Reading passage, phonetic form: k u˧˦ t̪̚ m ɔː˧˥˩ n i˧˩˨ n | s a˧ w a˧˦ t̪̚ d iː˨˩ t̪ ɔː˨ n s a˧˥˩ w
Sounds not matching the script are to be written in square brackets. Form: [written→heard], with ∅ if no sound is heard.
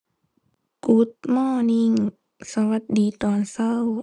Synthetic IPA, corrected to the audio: k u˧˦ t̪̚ m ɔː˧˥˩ n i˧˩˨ [n→ŋ] | s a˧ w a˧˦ t̪̚ d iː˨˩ t̪ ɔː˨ n s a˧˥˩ w

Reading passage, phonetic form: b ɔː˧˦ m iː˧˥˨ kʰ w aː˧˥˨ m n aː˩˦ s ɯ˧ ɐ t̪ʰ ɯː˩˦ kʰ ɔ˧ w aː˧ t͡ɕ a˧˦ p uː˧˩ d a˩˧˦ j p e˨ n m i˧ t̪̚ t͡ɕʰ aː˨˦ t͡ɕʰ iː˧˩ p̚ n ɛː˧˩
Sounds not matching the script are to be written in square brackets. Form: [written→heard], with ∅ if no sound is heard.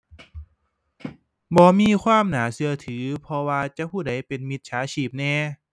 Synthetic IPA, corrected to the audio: b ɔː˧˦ m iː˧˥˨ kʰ w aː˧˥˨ m n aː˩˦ s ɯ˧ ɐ t̪ʰ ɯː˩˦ [kʰ→pʰ] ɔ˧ w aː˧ t͡ɕ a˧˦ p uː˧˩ d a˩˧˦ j p e˨ n m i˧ t̪̚ t͡ɕʰ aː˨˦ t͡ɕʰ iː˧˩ p̚ n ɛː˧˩

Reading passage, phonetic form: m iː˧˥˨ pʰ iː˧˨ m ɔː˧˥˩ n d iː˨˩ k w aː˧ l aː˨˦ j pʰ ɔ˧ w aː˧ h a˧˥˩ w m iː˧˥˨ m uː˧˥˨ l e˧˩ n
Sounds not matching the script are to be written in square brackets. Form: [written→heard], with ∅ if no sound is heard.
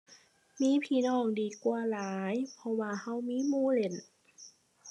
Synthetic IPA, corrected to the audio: m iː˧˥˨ pʰ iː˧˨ [m→n] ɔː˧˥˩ [n→ŋ] d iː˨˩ k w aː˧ l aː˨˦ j pʰ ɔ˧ w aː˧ h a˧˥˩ w m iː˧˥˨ m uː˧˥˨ l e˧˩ n

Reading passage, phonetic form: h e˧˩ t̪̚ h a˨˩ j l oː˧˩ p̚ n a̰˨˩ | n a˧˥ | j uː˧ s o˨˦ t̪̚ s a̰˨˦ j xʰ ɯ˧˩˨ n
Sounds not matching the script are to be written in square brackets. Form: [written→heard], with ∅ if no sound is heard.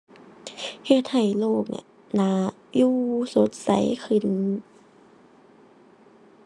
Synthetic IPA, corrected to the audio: h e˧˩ t̪̚ h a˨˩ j l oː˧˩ [p̚→k̚] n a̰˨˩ | n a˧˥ | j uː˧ s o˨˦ t̪̚ s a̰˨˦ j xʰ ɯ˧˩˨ n

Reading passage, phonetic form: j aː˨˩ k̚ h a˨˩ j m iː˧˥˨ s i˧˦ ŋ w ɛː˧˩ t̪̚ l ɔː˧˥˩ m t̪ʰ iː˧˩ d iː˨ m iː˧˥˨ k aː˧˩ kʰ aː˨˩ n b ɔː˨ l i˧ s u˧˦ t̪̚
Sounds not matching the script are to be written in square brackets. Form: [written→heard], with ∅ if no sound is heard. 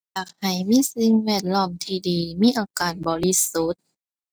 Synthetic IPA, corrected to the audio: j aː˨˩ k̚ h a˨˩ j m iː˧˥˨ s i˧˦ ŋ w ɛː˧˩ t̪̚ l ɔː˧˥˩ m t̪ʰ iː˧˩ d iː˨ m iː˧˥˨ [k→ʔ] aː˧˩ [kʰ→k] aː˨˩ n b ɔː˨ l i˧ s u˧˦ t̪̚

